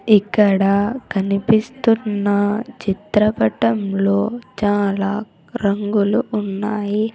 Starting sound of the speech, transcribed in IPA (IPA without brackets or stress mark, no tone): i